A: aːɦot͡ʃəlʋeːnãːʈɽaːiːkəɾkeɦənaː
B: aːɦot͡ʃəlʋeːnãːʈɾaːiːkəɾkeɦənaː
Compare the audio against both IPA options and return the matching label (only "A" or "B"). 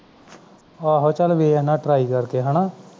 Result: B